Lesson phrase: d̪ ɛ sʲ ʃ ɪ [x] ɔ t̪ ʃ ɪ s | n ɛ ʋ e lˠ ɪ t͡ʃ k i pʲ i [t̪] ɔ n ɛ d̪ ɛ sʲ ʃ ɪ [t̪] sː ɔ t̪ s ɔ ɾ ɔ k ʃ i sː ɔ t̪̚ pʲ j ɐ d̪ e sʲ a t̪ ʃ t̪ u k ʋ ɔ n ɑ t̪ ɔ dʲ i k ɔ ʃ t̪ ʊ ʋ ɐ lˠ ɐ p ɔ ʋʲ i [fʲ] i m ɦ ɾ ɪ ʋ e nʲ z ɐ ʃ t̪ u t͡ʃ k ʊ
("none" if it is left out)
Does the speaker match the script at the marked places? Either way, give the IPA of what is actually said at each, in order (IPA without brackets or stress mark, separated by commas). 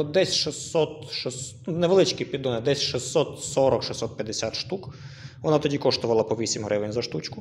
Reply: s, d̪, none, sʲ